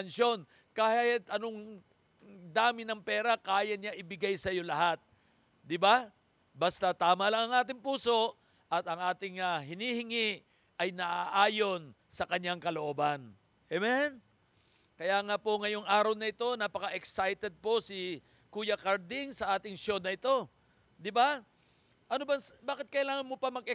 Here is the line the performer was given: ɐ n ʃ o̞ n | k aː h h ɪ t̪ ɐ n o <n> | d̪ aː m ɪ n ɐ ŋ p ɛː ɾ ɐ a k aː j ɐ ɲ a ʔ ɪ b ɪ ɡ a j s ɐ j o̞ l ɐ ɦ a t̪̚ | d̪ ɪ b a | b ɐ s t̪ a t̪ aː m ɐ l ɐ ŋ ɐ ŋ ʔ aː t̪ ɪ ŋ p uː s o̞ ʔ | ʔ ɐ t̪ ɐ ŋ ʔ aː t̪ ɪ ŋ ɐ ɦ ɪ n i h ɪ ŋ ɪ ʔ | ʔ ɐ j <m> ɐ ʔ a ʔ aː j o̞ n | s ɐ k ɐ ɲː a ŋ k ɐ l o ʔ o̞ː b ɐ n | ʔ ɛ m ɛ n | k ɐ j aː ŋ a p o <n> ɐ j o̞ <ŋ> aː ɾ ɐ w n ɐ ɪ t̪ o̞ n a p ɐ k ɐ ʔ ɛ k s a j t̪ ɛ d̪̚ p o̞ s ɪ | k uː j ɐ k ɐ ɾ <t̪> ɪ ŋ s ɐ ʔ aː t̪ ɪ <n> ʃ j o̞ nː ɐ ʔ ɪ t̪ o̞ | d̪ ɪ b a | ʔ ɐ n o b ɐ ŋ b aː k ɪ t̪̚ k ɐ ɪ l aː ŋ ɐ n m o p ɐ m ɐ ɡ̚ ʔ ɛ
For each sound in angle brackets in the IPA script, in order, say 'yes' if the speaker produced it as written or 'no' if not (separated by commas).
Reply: no, no, no, yes, no, no